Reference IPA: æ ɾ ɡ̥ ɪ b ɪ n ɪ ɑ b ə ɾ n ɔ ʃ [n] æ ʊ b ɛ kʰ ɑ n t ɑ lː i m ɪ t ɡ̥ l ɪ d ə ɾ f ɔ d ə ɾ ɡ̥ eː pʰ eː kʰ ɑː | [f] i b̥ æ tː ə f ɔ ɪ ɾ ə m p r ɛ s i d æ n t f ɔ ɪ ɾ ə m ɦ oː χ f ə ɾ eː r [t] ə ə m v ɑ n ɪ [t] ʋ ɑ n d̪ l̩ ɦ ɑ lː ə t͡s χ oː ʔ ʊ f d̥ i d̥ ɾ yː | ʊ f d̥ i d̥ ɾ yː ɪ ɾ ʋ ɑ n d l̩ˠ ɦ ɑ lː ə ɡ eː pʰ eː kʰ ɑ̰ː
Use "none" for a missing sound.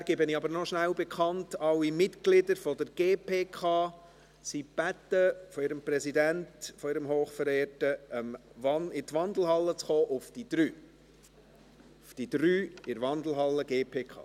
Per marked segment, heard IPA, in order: n, s, t, t

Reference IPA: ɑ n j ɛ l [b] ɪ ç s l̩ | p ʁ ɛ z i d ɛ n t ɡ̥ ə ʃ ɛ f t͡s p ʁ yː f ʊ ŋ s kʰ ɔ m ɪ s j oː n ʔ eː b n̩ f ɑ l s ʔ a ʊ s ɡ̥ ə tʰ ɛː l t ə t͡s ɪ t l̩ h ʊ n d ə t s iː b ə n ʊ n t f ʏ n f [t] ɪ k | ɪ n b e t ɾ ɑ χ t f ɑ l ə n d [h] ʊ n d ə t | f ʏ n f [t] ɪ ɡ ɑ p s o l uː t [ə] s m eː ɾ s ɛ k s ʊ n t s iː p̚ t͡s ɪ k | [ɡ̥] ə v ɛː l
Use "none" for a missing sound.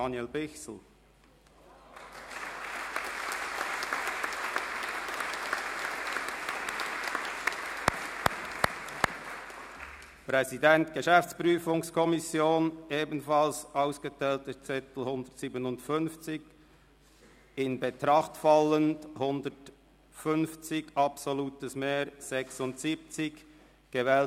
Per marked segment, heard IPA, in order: b, t͡s, h, t͡s, ə, ɡ̥

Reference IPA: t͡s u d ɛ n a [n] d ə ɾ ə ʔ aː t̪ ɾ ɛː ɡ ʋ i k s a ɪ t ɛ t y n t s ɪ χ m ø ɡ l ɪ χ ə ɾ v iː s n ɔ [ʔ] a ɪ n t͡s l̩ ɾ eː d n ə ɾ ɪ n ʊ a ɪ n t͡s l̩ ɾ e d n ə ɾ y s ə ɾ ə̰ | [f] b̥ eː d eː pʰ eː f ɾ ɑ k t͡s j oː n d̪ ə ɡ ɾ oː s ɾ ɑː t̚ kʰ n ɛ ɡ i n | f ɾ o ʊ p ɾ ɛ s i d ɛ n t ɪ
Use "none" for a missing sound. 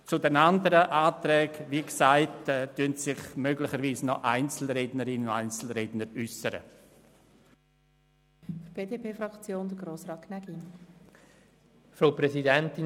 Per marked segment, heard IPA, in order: n, ʔ, f

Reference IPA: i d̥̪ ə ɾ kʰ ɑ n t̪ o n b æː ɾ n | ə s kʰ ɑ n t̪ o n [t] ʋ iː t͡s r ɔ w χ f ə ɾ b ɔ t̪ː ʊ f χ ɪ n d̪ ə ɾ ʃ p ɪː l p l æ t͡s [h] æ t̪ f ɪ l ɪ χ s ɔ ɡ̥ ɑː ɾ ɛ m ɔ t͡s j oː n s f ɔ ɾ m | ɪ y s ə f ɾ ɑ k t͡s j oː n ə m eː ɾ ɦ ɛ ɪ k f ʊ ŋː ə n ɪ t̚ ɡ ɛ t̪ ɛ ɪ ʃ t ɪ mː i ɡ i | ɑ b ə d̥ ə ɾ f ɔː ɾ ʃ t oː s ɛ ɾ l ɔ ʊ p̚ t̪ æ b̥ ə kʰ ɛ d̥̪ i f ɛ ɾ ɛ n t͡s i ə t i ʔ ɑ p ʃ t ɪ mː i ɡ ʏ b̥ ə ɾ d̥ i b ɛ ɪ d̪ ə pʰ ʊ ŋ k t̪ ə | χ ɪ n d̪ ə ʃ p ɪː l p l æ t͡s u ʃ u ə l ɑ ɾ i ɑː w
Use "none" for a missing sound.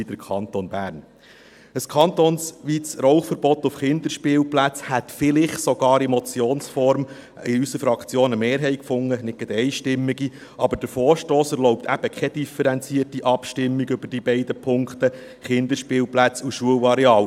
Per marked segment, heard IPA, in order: s, h

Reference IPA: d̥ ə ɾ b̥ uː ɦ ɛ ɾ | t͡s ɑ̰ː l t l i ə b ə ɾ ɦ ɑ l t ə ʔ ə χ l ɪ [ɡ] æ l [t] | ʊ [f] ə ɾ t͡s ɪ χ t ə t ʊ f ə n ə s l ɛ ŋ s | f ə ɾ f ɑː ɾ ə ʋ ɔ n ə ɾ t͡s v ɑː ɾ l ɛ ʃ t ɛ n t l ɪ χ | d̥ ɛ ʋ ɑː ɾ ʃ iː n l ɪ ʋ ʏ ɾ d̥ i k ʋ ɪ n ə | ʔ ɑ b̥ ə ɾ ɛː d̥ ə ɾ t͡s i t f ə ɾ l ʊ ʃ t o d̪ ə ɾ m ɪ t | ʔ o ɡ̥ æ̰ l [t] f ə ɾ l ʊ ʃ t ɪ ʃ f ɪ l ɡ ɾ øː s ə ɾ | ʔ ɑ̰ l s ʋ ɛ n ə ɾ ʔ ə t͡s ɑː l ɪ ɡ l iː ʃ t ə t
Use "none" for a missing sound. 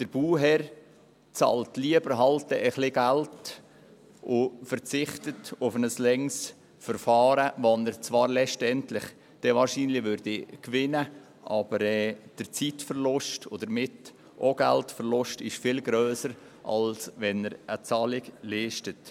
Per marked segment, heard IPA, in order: ɡ, t, f, t

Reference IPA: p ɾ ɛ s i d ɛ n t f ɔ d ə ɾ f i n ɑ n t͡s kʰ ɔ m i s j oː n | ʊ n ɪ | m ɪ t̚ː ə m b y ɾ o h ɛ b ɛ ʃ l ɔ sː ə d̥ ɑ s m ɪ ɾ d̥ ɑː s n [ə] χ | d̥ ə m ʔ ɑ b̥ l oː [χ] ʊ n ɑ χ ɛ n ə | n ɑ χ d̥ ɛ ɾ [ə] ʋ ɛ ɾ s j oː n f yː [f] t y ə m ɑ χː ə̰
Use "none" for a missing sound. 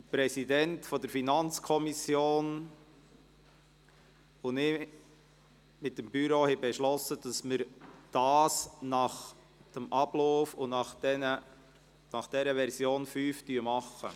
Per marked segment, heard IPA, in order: ɑ, f, ə, f

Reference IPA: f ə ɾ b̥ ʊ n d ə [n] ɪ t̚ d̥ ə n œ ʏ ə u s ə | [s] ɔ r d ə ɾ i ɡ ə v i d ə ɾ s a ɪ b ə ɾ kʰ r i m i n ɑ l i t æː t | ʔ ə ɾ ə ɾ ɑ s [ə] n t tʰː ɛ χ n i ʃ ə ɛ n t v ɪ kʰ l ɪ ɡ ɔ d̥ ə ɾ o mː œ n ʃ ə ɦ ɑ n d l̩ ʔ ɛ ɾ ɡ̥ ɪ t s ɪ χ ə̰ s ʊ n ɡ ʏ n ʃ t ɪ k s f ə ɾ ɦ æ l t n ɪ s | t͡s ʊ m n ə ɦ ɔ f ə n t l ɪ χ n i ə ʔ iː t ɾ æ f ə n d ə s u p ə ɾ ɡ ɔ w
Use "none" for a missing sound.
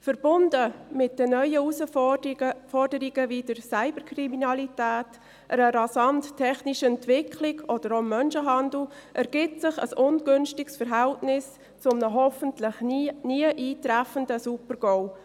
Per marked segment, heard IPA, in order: m, f, ɑ

